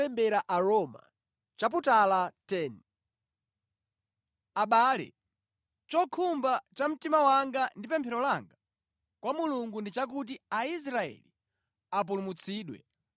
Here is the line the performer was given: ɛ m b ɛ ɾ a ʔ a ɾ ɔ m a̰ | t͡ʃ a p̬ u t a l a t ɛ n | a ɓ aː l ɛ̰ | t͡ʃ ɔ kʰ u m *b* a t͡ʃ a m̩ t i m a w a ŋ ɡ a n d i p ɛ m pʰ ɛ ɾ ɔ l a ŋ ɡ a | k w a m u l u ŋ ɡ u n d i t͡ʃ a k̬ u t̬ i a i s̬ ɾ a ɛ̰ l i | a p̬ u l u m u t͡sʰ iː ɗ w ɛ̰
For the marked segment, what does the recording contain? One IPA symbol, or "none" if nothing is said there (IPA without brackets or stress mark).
b